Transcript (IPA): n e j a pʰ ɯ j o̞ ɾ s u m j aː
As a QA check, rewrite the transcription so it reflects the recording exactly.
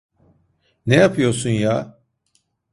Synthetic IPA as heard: n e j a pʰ ɯ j o̞ ɾ s u n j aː

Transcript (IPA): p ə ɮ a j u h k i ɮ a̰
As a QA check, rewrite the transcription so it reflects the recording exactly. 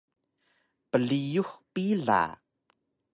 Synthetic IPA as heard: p ə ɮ i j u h p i ɮ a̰

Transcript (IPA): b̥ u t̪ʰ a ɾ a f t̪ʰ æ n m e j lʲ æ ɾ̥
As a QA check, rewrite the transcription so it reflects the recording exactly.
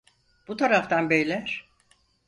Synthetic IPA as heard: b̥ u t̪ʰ a ɾ a f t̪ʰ a n b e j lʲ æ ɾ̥

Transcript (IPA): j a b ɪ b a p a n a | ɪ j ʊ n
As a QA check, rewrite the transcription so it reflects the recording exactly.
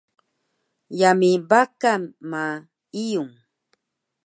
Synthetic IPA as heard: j a m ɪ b a k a m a | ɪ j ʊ ŋ

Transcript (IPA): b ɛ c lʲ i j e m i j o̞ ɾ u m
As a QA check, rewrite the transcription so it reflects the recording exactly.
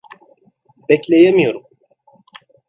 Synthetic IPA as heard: b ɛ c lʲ e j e m i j o̞ ɾ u m

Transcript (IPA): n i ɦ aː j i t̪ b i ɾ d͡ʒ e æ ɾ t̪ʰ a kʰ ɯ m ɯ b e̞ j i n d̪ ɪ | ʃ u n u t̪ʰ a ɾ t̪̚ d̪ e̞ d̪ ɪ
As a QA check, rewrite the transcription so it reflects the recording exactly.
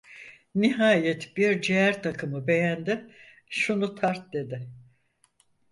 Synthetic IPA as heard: n i ɦ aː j ɛ t̪ b i ɾ d͡ʒ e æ ɾ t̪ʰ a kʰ ɯ m ɯ b e̞ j æ n d̪ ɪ | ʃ u n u t̪ʰ a ɾ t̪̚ d̪ e̞ d̪ ɪ

